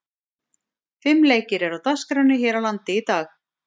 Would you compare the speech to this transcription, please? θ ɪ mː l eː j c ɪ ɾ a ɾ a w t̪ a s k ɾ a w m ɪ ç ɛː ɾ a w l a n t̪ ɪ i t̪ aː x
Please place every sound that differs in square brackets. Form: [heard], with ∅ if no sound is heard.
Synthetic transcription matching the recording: [f] ɪ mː l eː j c ɪ ɾ [ɛ] ɾ a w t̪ a s k ɾ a w [n] ɪ ç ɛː ɾ a w l a n t̪ ɪ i t̪ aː x